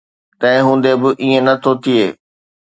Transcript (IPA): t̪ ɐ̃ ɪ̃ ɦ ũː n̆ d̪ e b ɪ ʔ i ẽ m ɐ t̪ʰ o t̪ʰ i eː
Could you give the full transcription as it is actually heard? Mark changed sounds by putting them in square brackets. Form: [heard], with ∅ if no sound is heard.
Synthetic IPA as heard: t̪ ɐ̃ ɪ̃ ɦ ũː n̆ d̪ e b ɪ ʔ i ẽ [n] ɐ t̪ʰ o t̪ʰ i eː

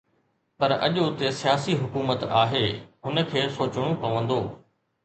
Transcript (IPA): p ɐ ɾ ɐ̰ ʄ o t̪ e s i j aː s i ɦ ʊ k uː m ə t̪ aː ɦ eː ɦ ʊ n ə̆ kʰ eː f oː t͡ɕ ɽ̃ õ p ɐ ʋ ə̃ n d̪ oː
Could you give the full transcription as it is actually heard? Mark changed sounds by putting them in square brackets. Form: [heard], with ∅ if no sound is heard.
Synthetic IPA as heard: p ɐ ɾ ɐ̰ ʄ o t̪ e s i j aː s i ɦ ʊ k uː m ə t̪ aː ɦ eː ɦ ʊ n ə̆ kʰ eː [s] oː t͡ɕ ɽ̃ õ p ɐ ʋ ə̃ n d̪ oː

